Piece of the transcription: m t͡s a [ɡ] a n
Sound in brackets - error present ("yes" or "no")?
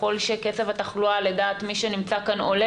yes